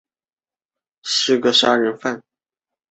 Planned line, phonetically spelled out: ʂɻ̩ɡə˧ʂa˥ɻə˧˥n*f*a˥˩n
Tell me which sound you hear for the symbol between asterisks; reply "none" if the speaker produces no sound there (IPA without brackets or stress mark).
f